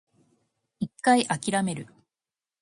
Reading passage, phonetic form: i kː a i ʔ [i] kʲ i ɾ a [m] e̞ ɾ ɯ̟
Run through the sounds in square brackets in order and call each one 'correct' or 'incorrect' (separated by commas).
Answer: incorrect, correct